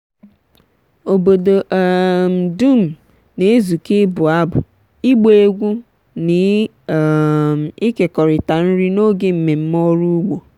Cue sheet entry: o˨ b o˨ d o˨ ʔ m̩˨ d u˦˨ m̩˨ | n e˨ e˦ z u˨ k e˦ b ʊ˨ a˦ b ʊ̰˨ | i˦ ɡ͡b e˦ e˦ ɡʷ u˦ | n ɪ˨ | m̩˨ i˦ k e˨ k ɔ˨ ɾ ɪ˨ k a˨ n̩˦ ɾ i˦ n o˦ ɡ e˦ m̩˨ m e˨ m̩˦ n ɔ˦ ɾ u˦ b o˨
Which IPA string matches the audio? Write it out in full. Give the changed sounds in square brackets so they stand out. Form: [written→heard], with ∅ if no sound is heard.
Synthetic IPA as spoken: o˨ b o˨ d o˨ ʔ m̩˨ d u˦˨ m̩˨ | n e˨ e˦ z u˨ k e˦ b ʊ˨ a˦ b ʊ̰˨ | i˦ ɡ͡b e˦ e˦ ɡʷ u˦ | n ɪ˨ | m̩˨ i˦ k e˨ k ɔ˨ ɾ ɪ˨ [k→t] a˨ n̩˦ ɾ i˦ n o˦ ɡ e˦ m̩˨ m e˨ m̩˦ [n→m] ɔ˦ ɾ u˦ [b→ɡ͡b] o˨